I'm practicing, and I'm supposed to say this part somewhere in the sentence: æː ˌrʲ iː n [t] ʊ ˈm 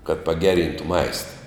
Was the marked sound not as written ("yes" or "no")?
no